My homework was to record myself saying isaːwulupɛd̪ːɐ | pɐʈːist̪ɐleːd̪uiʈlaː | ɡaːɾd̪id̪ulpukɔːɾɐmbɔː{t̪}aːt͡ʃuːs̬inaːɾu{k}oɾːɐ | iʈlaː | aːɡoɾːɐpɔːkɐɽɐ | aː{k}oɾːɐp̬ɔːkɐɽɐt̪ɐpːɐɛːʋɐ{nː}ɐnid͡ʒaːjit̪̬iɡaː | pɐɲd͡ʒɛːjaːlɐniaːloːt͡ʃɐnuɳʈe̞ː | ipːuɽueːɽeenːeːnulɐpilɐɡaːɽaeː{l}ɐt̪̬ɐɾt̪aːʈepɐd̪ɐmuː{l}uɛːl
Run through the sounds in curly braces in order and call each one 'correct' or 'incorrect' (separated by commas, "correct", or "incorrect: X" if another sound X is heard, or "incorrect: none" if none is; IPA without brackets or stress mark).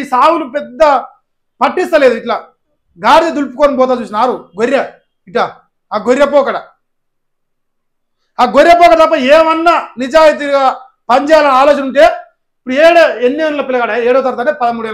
correct, incorrect: ɡ, incorrect: ɡ, correct, incorrect: ɽ, incorrect: ɽ